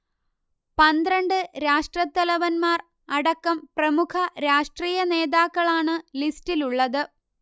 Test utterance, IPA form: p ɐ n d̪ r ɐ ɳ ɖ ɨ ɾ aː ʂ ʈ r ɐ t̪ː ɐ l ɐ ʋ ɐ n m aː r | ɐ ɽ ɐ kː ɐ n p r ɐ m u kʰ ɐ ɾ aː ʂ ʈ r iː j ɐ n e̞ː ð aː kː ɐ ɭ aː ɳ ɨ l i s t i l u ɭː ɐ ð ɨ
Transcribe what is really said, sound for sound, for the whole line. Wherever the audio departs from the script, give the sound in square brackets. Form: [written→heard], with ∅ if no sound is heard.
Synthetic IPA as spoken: p ɐ n d̪ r ɐ ɳ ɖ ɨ ɾ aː ʂ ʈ r ɐ t̪ː ɐ l ɐ ʋ ɐ n m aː r | ɐ ɽ ɐ kː ɐ [n→m] p r ɐ m u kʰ ɐ ɾ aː ʂ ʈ r iː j ɐ n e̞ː ð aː kː ɐ ɭ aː ɳ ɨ l i s t i l u ɭː ɐ ð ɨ